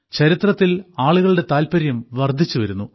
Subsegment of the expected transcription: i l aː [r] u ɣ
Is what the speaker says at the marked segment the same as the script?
no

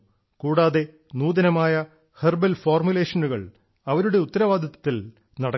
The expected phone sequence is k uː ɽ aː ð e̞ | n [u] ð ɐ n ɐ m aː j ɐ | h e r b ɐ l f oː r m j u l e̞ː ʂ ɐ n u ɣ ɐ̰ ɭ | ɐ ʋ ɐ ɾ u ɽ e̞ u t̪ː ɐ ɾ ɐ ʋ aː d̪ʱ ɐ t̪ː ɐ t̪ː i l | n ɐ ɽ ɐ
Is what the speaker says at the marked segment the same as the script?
no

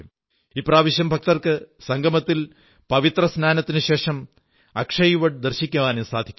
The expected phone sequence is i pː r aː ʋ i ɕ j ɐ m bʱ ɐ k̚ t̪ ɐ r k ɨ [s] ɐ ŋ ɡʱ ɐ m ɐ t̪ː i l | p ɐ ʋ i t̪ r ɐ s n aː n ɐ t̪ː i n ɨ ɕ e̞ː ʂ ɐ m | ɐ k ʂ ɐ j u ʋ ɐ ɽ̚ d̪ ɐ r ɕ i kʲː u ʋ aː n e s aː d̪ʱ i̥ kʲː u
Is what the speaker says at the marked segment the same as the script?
yes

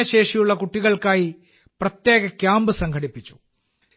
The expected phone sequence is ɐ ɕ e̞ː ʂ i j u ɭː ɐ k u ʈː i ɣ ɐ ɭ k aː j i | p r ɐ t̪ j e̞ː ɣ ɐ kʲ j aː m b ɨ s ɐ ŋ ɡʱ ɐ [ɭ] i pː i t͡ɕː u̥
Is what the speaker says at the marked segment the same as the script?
no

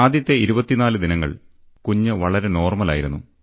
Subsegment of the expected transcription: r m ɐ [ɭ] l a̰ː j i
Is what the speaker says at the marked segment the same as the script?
no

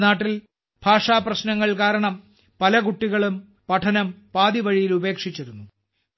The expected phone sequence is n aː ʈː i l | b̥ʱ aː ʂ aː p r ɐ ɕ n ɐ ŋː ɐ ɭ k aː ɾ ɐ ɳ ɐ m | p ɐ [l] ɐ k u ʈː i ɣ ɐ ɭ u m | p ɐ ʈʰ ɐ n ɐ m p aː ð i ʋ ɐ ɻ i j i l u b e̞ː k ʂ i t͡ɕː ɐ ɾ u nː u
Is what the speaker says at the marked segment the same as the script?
yes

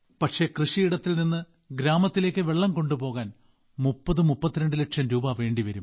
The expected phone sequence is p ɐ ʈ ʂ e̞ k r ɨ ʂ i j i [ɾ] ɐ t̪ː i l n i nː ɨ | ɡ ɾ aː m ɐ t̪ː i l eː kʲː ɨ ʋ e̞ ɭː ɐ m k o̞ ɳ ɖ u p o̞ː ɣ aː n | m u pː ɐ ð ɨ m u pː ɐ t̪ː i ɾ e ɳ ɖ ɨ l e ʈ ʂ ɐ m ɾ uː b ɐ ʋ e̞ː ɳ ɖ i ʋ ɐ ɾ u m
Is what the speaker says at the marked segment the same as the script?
no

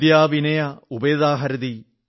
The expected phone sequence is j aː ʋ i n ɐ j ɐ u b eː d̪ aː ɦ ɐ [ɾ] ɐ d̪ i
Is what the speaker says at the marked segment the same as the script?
yes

